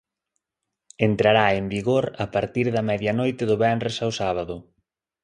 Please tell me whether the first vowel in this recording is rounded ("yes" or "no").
no